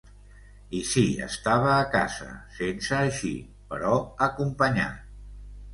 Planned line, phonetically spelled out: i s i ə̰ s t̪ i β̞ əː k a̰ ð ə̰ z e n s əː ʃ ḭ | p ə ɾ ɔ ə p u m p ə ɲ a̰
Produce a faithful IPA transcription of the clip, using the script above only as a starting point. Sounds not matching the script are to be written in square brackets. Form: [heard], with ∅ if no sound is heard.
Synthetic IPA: i s i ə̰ s t̪ [a] β̞ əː k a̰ [z] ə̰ [s] e n s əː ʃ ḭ | p ə ɾ ɔ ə [k] u m p ə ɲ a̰